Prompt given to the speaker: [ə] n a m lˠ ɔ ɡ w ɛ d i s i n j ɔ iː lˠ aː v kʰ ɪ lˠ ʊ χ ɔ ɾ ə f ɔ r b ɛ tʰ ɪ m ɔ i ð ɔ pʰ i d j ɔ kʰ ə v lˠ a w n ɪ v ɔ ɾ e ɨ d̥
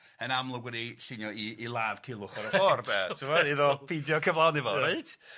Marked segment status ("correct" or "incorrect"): correct